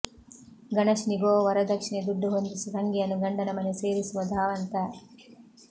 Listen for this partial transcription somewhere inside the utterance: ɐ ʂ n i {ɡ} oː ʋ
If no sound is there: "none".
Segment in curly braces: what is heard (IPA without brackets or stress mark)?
ɡ